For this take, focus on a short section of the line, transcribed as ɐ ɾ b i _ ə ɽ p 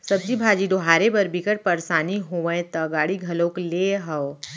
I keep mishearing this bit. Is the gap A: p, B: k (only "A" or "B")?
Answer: B